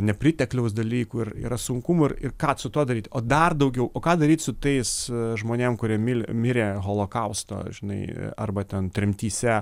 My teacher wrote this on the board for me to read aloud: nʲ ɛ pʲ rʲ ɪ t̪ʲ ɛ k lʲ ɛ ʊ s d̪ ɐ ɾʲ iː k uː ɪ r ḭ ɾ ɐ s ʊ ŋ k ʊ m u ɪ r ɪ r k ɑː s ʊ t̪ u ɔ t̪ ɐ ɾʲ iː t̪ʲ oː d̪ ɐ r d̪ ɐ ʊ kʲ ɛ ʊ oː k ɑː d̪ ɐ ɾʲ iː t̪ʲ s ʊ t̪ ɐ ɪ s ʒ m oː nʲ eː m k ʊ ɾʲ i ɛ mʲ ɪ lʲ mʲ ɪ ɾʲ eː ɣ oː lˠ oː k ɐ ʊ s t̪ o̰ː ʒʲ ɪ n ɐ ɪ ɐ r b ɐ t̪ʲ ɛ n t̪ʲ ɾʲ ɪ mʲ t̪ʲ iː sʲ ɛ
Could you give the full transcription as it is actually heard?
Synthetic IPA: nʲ ɛ pʲ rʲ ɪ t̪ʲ ɛ k lʲ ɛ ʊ s d̪ ɐ lʲ iː k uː ɪ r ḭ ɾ ɐ s ʊ ŋ k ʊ m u ɪ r ɪ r k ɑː s ʊ t̪ u ɔ d̪ ɐ ɾʲ iː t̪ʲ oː d̪ ɐ r d̪ ɐ ʊ ɡʲ ɛ ʊ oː k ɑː d̪ ɐ ɾʲ iː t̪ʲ s ʊ t̪ ɐ ɪ s ʒ m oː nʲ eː m k ʊ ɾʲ i ɛ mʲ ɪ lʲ mʲ ɪ ɾʲ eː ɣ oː lˠ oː k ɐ ʊ s t̪ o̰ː ʒʲ ɪ n ɐ ɪ ɐ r b ɐ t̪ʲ ɛ n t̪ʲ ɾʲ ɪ mʲ t̪ʲ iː sʲ ɛ

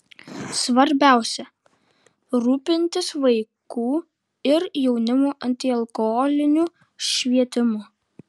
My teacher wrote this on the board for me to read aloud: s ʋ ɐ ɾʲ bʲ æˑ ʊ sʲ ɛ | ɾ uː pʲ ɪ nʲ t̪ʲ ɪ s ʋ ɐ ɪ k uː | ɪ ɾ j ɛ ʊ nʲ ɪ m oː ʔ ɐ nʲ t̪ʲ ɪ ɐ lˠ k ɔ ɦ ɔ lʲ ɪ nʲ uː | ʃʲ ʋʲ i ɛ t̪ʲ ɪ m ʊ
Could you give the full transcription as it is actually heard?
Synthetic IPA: s ʋ ɐ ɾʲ bʲ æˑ ʊ sʲ ɛ | ɾ uː pʲ ɪ nʲ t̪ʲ ɪ s ʋ ɐ ɪ k uː | ɪ ɾ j ɛ ʊ nʲ ɪ m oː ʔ ɐ nʲ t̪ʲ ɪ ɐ lˠ k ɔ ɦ ɔ lʲ ɪ nʲ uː | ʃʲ ʋʲ i ɛ t̪ʲ ɪ m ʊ

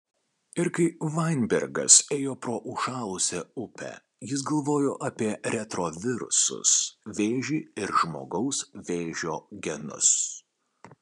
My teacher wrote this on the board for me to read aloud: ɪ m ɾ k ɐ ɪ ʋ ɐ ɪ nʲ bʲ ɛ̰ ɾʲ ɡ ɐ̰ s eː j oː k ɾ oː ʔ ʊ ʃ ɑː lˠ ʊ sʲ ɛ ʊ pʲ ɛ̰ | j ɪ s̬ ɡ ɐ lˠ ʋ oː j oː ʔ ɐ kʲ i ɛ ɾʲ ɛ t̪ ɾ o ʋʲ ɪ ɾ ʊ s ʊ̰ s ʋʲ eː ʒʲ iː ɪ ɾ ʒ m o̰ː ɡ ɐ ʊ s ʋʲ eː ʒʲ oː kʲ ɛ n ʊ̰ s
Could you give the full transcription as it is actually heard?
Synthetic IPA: ɪ ɾ k ɐ ɪ ʋ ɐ ɪ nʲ bʲ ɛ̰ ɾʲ ɡ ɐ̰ s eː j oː p ɾ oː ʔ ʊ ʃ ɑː lˠ ʊ sʲ ɛ ʊ pʲ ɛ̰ | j ɪ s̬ ɡ ɐ lˠ ʋ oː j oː ʔ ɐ pʲ i ɛ ɾʲ ɛ t̪ ɾ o ʋʲ ɪ ɾ ʊ s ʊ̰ s ʋʲ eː ʒʲ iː ɪ ɾ ʒ m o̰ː ɡ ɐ ʊ s ʋʲ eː ʒʲ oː ɡʲ ɛ n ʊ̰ s

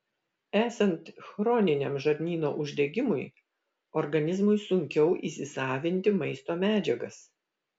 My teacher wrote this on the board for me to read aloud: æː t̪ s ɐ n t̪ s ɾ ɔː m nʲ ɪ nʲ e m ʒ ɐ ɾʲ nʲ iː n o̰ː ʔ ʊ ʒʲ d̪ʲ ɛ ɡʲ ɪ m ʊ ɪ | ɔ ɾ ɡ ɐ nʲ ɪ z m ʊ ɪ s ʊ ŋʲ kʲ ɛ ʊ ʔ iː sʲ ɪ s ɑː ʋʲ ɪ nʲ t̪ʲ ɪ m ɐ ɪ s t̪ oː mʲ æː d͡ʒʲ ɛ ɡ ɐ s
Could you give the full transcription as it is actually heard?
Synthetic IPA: æː s ɐ n t̪ x ɾ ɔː nʲ ɪ nʲ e m ʒ ɐ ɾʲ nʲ iː n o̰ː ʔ ʊ ʒʲ d̪ʲ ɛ ɡʲ ɪ m ʊ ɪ | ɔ ɾ ɡ ɐ nʲ ɪ z m ʊ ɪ s ʊ ŋʲ kʲ ɛ ʊ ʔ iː sʲ ɪ s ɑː ʋʲ ɪ nʲ t̪ʲ ɪ m ɐ ɪ s t̪ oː mʲ æː d͡ʒʲ ɛ ɡ ɐ s

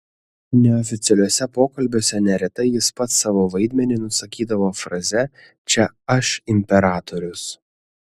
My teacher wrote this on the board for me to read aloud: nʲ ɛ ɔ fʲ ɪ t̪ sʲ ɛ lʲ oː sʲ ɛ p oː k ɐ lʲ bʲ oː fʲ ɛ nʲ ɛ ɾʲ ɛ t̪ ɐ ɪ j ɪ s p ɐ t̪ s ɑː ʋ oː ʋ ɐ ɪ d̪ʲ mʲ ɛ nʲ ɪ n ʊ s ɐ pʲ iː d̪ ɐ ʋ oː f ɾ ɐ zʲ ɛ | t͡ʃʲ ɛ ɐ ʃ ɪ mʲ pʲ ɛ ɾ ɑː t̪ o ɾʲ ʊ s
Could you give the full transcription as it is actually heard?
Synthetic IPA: nʲ ɛ ɔ fʲ ɪ t̪ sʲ ɛ lʲ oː sʲ ɛ p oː k ɐ lʲ bʲ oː sʲ ɛ nʲ ɛ ɾʲ ɛ t̪ ɐ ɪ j ɪ s p ɐ t̪ s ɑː ʋ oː ʋ ɐ ɪ d̪ʲ mʲ ɛ nʲ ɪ n ʊ s ɐ kʲ iː d̪ ɐ ʋ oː f ɾ ɐ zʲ ɛ | t͡ʃʲ ɛ ɐ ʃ ɪ mʲ pʲ ɛ ɾ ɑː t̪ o ɾʲ ʊ s

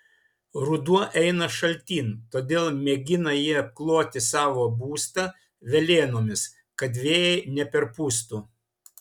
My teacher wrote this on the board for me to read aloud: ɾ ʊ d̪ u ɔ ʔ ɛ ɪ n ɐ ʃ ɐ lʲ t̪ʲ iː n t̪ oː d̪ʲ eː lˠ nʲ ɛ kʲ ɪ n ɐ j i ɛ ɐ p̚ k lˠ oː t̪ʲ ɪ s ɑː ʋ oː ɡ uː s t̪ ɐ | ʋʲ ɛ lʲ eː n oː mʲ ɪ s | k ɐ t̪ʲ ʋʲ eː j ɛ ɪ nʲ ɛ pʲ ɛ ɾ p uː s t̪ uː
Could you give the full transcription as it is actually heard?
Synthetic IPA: ɾ ʊ d̪ u ɔ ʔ ɛ ɪ n ɐ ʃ ɐ lʲ t̪ʲ iː n t̪ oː d̪ʲ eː lˠ mʲ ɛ ɡʲ ɪ n ɐ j i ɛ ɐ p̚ k lˠ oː t̪ʲ ɪ s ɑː ʋ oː b uː s t̪ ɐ | ʋʲ ɛ lʲ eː n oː mʲ ɪ s | k ɐ d̪ʲ ʋʲ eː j ɛ ɪ nʲ ɛ pʲ ɛ ɾ p uː s t̪ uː

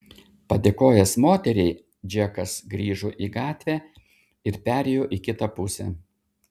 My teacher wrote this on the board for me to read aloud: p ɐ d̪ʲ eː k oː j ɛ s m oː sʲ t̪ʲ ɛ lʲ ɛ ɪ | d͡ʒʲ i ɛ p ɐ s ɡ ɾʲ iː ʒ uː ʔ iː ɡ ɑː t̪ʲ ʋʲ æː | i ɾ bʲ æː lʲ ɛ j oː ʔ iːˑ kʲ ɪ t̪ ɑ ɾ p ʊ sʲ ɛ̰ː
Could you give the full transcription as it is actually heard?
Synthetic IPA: p ɐ d̪ʲ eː k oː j ɛ s m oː t̪ʲ ɛ ɾʲ ɛ ɪ | d͡ʒʲ i ɛ k ɐ s ɡ ɾʲ iː ʒ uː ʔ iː ɡ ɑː t̪ʲ ʋʲ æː | ɪ ɾ pʲ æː ɾʲ ɛ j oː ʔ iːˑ kʲ ɪ t̪ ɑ p ʊ sʲ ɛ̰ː

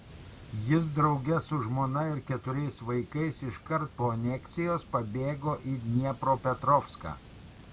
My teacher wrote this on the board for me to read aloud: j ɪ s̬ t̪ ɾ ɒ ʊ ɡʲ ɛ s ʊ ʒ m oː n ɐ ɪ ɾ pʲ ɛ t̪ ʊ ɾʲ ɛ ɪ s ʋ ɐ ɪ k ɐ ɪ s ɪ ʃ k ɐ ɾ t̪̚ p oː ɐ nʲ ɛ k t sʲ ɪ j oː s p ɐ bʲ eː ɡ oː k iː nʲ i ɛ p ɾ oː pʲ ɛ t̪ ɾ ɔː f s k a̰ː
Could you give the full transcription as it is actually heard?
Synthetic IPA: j ɪ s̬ d̪ ɾ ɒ ʊ ɡʲ ɛ s ʊ ʒ m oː n ɐ ɪ ɾ kʲ ɛ t̪ ʊ ɾʲ ɛ ɪ s ʋ ɐ ɪ k ɐ ɪ s ɪ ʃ k ɐ ɾ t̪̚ p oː ɐ nʲ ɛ k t sʲ ɪ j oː s p ɐ bʲ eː ɡ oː ʔ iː nʲ i ɛ p ɾ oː pʲ ɛ t̪ ɾ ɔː f s k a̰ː

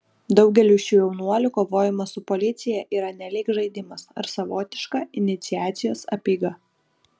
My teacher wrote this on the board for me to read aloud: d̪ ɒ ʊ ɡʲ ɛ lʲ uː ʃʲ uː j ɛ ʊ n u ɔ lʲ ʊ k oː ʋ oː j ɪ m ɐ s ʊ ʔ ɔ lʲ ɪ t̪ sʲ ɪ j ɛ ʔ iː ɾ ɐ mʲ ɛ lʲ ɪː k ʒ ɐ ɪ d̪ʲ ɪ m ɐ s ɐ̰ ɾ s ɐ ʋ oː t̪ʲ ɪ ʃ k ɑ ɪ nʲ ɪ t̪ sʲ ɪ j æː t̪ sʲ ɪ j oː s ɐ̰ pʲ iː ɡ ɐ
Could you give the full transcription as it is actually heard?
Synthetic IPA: d̪ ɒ ʊ ɡʲ ɛ lʲ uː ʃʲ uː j ɛ ʊ n u ɔ lʲ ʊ k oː ʋ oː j ɪ m ɐ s ʊ p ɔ lʲ ɪ t̪ sʲ ɪ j ɛ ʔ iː ɾ ɐ nʲ ɛ lʲ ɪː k ʒ ɐ ɪ d̪ʲ ɪ m ɐ s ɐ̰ ɾ s ɐ ʋ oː t̪ʲ ɪ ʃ k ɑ ɪ nʲ ɪ t̪ sʲ ɪ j æː t̪ sʲ ɪ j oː s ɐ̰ pʲ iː ɡ ɐ

